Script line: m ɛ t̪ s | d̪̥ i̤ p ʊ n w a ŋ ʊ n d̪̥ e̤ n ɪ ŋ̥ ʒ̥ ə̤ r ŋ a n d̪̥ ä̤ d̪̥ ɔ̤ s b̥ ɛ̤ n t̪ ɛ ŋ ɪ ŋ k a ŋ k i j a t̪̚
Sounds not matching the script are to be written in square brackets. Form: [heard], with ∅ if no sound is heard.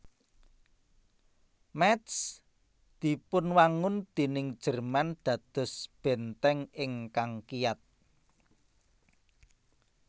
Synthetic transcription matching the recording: m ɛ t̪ s | d̪̥ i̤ p ʊ n w a ŋ ʊ n d̪̥ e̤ n ɪ ŋ̥ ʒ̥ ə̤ r [m] a n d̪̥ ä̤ d̪̥ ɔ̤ s b̥ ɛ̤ n t̪ ɛ ŋ ɪ ŋ k a ŋ k i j a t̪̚